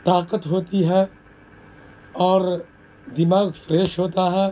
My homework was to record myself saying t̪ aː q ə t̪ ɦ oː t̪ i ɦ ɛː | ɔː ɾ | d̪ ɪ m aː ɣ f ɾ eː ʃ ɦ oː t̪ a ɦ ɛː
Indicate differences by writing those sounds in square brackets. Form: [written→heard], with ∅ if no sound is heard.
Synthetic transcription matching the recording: t̪ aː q ə t̪ ɦ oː t̪ i ɦ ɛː | ɔː ɾ | d̪ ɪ m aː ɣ f ɾ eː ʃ ɦ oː t̪ a ɦ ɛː